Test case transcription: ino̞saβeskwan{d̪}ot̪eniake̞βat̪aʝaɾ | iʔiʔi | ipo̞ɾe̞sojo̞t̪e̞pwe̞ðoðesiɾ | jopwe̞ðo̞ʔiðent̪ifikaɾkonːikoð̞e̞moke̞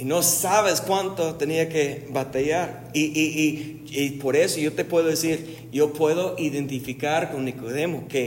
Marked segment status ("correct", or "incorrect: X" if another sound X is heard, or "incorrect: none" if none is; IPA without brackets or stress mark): incorrect: t̪